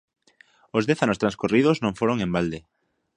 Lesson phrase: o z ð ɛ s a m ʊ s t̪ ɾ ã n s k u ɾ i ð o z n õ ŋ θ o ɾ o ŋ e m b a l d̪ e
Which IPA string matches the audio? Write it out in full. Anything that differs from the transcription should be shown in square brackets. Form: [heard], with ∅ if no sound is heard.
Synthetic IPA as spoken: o z ð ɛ [θ] a [n] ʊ s t̪ ɾ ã n s k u [r] i ð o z n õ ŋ [f] o ɾ o ŋ e m b a l d̪ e